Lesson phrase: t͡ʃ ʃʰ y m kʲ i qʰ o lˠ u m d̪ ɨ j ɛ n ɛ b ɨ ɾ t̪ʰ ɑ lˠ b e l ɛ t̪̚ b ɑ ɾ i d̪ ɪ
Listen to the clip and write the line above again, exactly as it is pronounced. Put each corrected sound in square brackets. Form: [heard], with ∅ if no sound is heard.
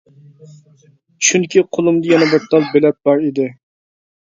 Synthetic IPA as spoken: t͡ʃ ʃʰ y [n] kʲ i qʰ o lˠ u m d̪ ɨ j ɛ n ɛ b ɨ ɾ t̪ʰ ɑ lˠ b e l ɛ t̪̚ b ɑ ɾ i d̪ ɪ